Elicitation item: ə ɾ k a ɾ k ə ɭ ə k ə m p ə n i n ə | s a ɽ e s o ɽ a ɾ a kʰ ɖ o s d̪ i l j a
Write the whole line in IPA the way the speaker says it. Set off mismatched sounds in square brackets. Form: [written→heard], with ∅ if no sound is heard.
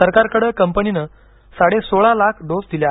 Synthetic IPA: ə ɾ k a ɾ k ə [ɭ→ɽ] ə k ə m p ə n i n ə | s a ɽ e s o [ɽ→ɭ] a [ɾ→l] a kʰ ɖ o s d̪ i l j a